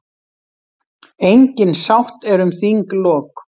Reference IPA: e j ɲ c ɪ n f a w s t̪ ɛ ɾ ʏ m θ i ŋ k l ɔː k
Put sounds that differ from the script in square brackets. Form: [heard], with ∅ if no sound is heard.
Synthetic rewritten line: e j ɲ c ɪ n [s] a w [h] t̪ ɛ ɾ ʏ m θ i ŋ k l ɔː k